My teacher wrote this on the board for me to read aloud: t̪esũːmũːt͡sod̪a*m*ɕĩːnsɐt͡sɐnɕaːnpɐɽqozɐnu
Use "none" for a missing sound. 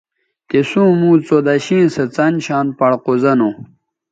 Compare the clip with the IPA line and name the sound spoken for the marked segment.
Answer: none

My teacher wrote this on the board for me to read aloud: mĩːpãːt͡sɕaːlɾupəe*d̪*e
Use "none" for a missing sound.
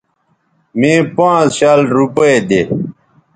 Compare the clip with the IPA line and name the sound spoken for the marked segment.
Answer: d̪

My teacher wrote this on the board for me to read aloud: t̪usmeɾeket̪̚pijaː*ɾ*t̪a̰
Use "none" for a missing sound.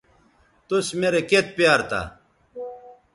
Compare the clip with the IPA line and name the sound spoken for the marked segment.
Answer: ɾ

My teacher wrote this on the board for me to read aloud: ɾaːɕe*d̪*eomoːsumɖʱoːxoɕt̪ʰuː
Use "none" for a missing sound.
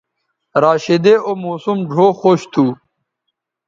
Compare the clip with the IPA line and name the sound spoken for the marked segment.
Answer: d̪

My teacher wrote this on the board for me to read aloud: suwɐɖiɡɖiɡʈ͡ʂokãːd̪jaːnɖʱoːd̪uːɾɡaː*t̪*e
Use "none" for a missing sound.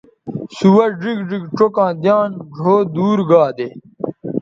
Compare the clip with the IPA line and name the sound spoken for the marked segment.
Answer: d̪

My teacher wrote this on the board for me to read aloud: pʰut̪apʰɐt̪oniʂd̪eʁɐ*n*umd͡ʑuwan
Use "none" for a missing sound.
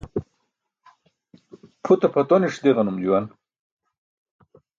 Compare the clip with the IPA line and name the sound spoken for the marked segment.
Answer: n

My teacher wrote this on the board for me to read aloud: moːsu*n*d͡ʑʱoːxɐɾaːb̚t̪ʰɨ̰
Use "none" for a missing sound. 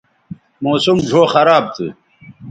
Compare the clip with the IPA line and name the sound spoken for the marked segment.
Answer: m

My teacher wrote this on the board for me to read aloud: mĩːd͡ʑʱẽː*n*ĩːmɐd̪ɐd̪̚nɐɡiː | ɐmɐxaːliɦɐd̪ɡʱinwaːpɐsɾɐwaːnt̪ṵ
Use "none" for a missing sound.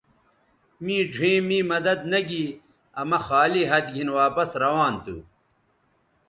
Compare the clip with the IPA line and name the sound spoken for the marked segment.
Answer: m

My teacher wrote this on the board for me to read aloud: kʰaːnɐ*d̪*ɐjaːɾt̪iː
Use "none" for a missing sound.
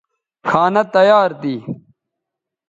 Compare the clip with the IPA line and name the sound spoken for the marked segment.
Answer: t̪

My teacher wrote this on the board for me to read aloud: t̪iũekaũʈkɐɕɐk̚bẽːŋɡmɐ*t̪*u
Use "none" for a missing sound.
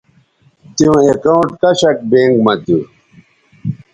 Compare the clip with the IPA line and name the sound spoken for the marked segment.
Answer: t̪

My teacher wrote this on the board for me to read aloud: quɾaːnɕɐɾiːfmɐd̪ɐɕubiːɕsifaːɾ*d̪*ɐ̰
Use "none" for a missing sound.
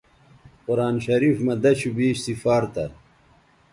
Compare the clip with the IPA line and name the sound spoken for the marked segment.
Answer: t̪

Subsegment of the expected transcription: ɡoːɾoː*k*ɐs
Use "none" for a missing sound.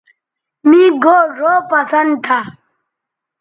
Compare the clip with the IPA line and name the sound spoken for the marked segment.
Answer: p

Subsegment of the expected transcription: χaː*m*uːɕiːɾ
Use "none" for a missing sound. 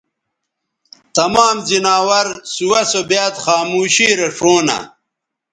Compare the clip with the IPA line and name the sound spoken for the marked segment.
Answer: m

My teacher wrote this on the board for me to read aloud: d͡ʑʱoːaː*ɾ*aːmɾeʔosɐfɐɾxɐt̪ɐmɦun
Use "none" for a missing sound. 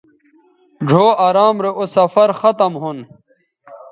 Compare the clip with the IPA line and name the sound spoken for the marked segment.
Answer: ɾ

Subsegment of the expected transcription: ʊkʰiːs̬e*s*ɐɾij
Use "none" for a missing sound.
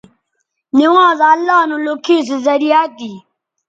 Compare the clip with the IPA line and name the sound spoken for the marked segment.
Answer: z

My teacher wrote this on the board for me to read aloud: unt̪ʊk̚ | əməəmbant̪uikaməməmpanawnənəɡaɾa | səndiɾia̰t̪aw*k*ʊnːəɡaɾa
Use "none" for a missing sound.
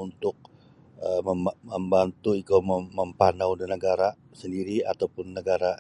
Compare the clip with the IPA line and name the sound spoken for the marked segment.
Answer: p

